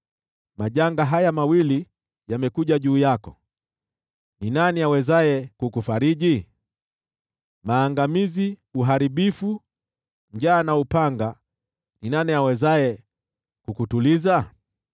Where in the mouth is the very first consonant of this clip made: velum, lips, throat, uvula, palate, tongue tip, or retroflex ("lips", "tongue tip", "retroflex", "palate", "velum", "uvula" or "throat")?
lips